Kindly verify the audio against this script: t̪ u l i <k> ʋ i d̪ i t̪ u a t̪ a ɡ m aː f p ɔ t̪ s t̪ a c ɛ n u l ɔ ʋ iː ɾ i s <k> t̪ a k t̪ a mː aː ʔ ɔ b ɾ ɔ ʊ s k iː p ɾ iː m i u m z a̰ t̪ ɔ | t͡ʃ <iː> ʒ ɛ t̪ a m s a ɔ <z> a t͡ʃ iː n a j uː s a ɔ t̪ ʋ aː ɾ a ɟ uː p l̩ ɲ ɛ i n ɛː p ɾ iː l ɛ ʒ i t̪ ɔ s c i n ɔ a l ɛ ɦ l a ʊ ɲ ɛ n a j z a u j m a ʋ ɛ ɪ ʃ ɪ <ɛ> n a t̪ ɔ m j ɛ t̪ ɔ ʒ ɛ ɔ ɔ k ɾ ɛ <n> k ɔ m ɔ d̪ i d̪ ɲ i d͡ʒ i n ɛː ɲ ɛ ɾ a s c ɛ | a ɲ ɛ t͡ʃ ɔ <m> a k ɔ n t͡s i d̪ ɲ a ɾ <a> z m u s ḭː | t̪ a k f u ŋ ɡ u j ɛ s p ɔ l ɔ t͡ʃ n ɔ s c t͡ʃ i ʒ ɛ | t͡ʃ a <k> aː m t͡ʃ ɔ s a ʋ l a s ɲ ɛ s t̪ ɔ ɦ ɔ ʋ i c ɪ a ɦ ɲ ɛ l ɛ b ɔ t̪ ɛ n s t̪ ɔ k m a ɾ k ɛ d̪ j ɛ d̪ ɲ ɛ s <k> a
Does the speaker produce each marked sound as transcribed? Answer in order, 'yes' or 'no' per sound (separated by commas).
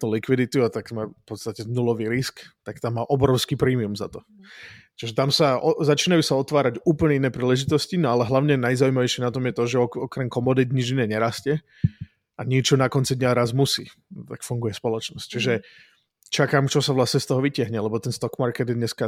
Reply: yes, yes, no, yes, yes, no, no, yes, yes, yes